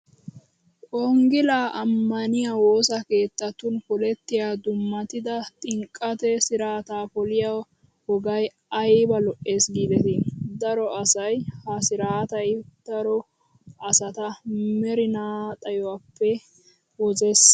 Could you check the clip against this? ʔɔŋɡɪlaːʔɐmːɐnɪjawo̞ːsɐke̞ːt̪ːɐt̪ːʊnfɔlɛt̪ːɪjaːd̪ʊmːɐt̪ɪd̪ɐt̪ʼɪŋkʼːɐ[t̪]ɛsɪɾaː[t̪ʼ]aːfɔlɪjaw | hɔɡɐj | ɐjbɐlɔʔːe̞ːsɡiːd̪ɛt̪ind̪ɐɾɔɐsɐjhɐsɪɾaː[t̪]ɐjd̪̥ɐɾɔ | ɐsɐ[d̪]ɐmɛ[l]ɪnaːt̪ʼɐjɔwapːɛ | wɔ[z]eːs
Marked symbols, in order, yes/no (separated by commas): yes, no, yes, no, no, yes